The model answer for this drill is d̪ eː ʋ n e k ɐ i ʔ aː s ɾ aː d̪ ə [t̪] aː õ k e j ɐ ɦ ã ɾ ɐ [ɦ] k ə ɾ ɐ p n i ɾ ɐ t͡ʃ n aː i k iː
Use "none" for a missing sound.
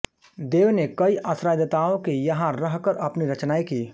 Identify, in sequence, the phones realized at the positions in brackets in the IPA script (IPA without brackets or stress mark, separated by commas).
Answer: t̪, ɦ